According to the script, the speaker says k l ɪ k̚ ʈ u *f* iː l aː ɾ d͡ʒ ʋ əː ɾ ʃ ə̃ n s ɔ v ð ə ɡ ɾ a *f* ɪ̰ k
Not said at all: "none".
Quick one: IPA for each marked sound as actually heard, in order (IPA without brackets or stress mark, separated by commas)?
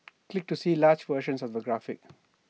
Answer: s, f